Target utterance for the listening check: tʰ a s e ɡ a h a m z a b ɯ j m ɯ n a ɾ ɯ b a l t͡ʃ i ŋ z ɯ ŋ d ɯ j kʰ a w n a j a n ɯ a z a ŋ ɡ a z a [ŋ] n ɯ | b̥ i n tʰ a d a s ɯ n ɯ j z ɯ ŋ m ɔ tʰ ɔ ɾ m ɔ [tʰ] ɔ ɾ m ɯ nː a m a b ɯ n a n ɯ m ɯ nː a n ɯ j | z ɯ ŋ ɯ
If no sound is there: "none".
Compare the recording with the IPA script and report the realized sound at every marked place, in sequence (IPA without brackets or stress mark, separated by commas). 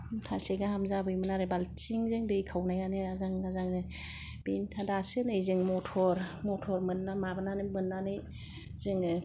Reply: ŋ, tʰ